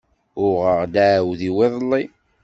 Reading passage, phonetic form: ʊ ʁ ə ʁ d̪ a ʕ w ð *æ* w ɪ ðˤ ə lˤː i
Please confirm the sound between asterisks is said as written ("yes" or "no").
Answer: no